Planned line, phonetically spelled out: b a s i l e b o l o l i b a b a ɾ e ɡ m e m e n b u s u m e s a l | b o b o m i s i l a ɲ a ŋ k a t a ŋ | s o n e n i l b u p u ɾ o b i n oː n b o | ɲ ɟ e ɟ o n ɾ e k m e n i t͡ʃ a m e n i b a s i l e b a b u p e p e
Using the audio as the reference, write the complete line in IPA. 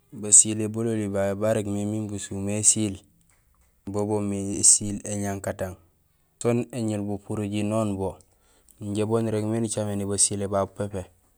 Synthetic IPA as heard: b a s i l e b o l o l i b a b a ɾ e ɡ m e m i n b u s u m e s i l | b o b o m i s i l e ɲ a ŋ k a t a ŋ | s o n e ɲ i l b u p u ɾ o ɟ i n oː n b o | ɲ ɟ e b o n ɾ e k m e n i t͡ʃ a m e n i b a s i l e b a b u p e p e